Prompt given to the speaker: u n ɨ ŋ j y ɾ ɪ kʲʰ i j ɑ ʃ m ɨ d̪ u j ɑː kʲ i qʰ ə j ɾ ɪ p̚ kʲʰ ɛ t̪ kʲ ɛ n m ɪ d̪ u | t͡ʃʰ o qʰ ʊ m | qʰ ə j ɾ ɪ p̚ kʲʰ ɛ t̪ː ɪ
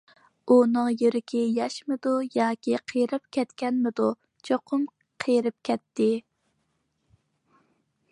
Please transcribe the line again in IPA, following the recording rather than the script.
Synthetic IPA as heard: u n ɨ ŋ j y ɾ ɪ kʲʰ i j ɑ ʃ m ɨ d̪ u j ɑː kʲ i qʰ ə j ɾ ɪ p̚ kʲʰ ɛ t̪ kʲ ɛ n m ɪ d̪ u | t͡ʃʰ o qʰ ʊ m | qʰ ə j ɾ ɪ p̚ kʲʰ ɛ t̪ː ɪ

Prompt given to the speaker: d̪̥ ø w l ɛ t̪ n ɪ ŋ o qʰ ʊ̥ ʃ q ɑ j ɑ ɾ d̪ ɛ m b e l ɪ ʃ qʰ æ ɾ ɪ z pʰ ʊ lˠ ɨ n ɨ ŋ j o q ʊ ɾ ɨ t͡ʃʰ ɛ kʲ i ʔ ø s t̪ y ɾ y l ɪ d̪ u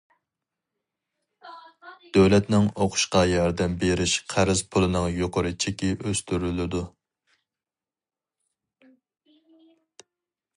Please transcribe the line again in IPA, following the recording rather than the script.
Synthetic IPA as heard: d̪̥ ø w l ɛ t̪ n ɪ ŋ o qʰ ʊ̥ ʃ q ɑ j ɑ ɾ d̪ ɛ m b e ɾ ɪ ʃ qʰ æ ɾ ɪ z pʰ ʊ lˠ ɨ n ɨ ŋ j o q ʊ ɾ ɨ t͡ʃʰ e kʲ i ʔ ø s t̪ y ɾ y l ɪ d̪ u

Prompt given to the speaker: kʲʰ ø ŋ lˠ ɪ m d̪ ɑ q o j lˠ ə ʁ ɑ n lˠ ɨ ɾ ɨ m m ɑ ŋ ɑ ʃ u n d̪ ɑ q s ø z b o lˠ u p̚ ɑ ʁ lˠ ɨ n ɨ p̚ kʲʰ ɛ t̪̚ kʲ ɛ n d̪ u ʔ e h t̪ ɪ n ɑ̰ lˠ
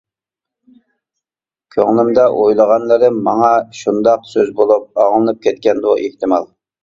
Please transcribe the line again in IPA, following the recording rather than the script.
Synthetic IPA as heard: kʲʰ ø ŋ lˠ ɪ m d̪ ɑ ʔ o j lˠ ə ʁ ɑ n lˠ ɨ ɾ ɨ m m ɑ ŋ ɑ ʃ u n d̪ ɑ q s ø z b o lˠ u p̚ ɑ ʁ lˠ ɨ n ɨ p̚ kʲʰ ɛ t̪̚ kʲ ɛ n d̪ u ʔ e h t̪ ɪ m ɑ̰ lˠ

